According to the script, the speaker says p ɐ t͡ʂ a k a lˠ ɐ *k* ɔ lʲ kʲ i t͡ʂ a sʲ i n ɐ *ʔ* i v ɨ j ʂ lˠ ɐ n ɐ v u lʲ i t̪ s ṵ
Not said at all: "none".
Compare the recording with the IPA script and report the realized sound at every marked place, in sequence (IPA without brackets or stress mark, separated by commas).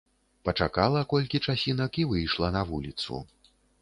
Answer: k, k